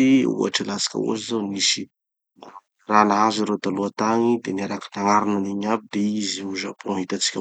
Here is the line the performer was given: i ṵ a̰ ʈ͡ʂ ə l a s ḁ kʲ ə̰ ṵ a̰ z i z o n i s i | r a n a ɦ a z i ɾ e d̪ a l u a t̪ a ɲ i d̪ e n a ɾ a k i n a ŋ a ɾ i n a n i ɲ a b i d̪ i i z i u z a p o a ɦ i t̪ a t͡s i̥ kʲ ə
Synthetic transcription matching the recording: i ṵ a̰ ʈ͡ʂ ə l a s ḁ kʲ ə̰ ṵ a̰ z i z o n i s i | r a n a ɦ a z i ɾ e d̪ a l u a t̪ a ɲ i d̪ e n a ɾ a k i n a ŋ a ɾ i n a n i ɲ a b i d̪ e i z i u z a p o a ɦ i t̪ a t͡s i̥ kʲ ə